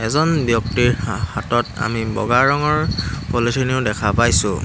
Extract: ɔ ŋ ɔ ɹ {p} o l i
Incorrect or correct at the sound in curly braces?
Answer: correct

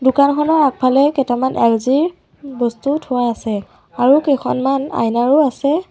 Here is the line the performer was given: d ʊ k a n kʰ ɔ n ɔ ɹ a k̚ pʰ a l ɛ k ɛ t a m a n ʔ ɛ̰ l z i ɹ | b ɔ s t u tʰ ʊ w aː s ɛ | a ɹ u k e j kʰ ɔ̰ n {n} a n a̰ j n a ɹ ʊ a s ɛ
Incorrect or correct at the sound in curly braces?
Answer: incorrect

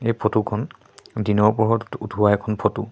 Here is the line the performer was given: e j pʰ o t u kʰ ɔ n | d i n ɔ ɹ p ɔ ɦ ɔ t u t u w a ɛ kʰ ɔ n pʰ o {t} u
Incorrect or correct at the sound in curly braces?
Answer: correct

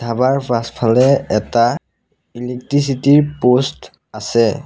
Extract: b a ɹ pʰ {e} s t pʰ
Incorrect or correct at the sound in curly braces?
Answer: incorrect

